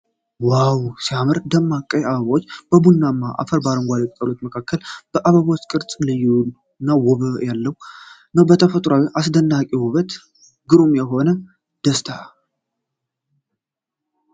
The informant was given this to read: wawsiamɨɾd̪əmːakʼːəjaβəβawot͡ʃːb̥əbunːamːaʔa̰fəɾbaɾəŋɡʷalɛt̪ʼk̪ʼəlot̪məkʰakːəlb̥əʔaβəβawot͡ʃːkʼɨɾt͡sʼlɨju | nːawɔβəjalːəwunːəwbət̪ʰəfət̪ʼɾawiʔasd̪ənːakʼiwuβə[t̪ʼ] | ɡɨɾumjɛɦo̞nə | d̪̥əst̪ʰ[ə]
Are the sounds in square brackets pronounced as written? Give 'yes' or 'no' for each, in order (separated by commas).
no, no